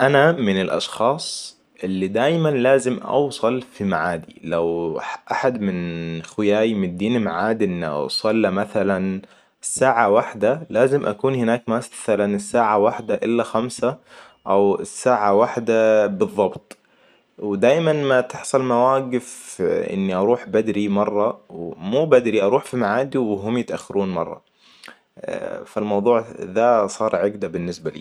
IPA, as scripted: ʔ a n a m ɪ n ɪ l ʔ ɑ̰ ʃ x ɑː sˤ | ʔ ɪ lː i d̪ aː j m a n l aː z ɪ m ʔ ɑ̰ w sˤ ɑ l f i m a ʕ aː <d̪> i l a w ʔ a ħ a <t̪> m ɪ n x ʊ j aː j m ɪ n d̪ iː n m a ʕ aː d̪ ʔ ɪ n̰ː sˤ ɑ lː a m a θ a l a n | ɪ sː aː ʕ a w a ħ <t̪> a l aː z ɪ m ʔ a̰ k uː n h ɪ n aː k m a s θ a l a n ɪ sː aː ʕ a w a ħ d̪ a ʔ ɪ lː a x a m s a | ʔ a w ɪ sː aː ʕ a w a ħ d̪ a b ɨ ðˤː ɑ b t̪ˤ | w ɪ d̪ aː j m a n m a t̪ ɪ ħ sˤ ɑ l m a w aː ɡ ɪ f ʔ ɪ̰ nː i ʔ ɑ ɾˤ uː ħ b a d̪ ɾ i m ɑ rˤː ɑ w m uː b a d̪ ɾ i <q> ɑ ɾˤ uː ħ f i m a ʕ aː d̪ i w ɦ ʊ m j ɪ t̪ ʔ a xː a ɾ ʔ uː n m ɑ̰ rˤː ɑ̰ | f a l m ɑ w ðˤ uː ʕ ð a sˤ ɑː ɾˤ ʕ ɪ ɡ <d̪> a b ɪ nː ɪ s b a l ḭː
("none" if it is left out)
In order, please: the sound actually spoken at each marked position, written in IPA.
d̪, d̪, d̪, ʔ, d̪

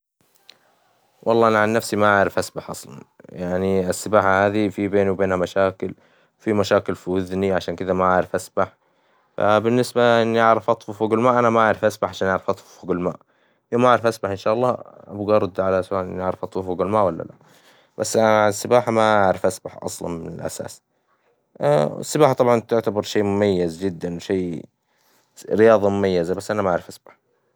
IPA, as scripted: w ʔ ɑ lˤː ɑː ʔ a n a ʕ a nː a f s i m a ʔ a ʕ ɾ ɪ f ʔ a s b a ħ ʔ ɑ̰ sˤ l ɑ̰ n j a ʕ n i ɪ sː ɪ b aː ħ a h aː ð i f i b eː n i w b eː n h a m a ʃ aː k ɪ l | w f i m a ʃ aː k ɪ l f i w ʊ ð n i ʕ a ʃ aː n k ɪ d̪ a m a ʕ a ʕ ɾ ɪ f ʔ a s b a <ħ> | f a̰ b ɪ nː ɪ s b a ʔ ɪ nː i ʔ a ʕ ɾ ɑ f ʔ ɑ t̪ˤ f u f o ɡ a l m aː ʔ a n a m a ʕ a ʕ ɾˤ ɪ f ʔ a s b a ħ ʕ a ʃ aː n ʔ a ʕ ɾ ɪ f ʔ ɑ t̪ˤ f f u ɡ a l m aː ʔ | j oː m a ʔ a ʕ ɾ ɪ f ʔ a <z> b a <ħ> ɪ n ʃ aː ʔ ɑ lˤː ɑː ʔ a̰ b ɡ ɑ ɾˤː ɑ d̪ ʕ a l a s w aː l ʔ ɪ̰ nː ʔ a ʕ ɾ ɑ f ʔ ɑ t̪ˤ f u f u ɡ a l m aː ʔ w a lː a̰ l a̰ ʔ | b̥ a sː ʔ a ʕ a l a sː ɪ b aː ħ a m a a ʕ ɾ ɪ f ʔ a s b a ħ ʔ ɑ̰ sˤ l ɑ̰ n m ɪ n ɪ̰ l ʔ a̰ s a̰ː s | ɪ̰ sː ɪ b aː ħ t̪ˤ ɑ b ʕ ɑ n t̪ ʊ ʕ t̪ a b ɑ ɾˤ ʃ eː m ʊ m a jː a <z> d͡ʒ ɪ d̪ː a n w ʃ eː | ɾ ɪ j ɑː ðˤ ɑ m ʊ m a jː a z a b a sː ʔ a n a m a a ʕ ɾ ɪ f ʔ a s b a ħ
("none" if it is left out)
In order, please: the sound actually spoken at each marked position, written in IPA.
ħ, s, ħ, z

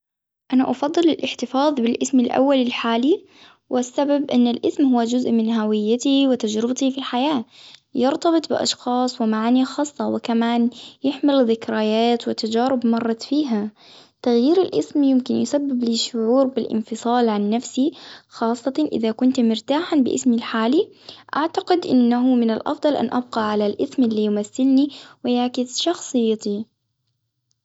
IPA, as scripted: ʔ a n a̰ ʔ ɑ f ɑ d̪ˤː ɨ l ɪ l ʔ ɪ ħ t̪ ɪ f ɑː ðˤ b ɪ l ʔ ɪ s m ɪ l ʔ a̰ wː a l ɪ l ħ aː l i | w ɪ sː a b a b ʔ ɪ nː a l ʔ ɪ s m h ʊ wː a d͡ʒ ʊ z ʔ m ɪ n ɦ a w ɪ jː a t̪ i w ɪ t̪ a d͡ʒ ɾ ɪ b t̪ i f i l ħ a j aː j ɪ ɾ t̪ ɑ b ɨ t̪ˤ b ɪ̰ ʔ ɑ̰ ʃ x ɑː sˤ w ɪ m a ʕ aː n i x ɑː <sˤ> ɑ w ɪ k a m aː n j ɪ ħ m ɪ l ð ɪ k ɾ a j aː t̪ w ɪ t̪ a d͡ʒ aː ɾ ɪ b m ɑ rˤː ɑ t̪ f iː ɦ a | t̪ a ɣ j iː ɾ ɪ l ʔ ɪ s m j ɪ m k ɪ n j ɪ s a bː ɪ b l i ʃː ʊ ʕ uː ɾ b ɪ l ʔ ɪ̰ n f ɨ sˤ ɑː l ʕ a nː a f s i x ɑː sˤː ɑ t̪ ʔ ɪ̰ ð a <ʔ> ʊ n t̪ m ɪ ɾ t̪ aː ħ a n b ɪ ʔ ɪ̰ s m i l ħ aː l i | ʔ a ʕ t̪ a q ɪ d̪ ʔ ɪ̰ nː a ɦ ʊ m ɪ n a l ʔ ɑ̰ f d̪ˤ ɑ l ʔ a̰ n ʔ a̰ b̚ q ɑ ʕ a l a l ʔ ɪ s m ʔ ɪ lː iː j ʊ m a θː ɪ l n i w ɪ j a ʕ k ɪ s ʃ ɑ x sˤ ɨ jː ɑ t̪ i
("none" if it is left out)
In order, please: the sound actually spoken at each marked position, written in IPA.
sˤː, k

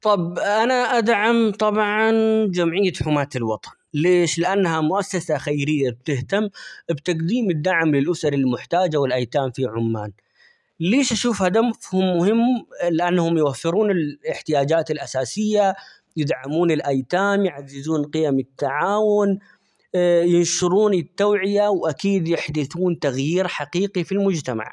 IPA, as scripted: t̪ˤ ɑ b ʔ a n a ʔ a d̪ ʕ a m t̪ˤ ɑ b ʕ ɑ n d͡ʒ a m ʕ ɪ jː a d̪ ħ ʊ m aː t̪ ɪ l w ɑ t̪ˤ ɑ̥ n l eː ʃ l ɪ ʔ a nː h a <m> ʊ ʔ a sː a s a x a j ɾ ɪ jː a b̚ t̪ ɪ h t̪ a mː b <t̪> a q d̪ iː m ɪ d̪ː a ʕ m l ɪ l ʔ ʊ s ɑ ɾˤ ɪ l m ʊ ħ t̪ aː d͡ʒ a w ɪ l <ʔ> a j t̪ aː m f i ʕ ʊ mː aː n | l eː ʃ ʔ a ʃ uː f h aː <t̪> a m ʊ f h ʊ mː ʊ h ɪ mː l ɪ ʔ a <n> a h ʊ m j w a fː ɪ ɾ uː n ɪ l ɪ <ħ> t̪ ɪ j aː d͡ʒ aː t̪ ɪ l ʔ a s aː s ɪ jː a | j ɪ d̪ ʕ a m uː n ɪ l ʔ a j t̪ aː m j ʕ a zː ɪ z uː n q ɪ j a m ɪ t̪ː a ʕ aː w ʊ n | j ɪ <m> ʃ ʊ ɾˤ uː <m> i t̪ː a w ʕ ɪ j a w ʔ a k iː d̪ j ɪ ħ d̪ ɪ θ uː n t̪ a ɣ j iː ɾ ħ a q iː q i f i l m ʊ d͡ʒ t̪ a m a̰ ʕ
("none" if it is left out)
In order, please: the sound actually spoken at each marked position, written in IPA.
m, t̪, ʔ, d̪, nː, ħ, n, n

